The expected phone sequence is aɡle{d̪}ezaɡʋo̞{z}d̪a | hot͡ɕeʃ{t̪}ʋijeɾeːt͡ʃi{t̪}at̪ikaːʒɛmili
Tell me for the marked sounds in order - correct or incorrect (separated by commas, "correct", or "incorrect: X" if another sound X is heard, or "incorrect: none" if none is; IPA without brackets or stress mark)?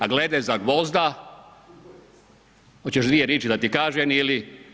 correct, correct, incorrect: d̪, incorrect: d̪